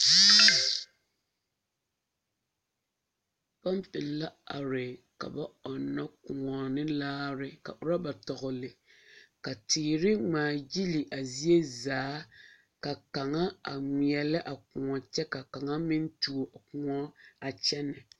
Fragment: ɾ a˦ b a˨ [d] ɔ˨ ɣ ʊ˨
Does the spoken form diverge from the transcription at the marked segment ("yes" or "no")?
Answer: yes